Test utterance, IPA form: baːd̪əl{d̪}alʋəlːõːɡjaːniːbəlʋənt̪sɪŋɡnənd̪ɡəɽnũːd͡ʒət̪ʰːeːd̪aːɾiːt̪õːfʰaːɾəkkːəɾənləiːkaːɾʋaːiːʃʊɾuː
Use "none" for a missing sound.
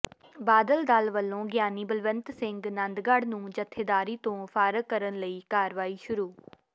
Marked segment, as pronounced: d̪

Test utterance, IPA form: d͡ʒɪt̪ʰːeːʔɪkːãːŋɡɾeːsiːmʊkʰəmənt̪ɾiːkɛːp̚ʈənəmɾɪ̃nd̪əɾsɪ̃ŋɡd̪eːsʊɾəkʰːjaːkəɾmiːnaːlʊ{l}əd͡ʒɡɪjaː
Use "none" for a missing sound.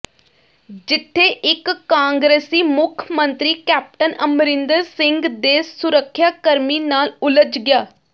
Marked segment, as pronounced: l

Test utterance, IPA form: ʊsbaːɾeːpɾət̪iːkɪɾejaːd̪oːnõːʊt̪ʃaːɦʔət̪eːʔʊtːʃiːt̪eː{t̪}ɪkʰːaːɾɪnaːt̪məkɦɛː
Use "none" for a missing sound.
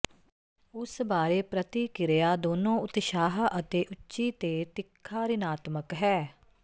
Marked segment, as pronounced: t̪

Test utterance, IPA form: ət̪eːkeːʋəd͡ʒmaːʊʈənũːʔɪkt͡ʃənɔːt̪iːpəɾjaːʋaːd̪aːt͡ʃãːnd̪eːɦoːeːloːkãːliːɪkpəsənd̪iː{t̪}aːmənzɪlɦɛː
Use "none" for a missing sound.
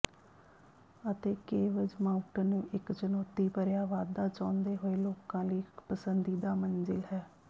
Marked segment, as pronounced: d̪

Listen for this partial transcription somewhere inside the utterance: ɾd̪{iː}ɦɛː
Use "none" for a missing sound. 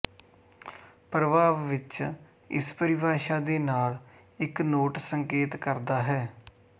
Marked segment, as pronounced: aː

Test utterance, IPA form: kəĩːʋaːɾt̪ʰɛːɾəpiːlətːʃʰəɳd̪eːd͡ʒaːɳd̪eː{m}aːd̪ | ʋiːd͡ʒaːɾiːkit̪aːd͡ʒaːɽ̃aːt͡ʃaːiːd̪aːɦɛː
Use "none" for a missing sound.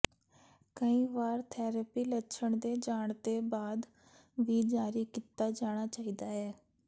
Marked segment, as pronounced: b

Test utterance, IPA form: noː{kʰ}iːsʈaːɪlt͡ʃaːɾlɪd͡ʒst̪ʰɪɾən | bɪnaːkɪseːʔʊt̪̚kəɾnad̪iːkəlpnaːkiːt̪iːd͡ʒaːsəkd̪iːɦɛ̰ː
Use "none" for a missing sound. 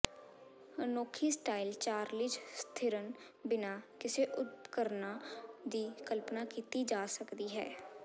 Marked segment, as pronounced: kʰ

